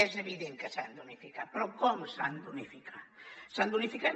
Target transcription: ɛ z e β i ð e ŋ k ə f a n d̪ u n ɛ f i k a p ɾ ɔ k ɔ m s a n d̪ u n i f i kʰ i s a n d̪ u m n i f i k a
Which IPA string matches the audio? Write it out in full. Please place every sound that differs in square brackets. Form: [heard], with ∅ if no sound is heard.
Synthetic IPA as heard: ɛ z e β i ð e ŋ k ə [s] a n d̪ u n [i] f i k a p ɾ ɔ k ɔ m s a n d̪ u n i f i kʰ [a] s a n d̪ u [∅] n i f i k a